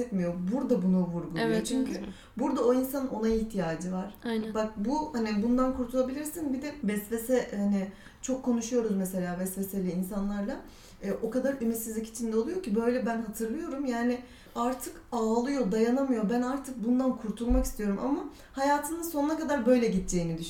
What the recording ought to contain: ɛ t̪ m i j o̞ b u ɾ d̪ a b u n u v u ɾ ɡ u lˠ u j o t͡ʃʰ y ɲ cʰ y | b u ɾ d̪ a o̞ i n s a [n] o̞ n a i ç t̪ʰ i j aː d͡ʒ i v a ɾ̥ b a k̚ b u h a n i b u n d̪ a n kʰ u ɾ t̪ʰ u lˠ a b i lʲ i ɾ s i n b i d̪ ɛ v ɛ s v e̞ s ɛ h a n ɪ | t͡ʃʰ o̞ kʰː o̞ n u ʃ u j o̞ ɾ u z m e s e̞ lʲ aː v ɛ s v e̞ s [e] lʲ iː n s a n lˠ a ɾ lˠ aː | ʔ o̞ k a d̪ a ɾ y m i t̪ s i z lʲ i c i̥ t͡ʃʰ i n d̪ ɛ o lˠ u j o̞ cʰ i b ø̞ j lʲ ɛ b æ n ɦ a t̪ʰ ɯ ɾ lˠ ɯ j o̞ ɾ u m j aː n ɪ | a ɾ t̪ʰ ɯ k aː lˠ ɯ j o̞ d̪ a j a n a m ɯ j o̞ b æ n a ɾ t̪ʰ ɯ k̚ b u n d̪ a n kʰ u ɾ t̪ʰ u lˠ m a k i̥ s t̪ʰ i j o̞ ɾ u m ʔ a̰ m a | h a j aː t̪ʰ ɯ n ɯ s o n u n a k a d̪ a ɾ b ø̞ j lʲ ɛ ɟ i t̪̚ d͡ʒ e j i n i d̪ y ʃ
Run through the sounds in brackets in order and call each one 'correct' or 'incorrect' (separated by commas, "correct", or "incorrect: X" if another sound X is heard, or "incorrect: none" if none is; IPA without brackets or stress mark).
correct, correct